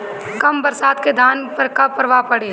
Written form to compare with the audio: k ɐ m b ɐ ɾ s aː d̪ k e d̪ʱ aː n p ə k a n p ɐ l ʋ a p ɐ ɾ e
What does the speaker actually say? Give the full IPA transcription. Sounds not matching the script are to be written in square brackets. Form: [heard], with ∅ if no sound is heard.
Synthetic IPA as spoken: k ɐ m b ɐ ɾ s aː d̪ k e d̪ʱ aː n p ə k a [∅] p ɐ [ɾ] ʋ a p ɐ [ɽ] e